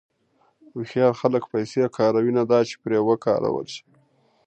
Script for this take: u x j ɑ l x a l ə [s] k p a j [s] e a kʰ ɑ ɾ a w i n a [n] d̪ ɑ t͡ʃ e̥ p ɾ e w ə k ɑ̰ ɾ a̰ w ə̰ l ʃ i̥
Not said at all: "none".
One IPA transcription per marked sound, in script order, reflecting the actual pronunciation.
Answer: none, s, none

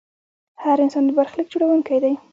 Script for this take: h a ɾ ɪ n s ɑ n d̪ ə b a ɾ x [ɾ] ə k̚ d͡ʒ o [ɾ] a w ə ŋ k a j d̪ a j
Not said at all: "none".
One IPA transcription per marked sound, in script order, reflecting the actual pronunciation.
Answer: l, ɽ

